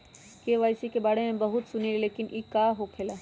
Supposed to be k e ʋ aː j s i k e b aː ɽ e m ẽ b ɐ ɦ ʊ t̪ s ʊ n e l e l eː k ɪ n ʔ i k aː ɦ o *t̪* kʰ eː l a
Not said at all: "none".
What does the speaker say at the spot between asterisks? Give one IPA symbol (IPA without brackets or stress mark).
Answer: none